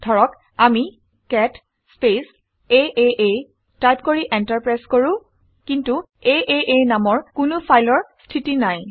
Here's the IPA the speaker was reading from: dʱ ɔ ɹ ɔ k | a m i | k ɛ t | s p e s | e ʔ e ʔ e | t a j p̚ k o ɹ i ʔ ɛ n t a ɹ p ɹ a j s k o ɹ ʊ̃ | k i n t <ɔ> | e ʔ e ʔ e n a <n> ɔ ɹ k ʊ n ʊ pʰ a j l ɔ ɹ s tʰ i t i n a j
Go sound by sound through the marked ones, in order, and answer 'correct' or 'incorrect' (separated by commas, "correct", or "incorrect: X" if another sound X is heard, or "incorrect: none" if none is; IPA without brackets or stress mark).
incorrect: u, incorrect: m